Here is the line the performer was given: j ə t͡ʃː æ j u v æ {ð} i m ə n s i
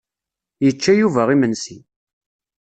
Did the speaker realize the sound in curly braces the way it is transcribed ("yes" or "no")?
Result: no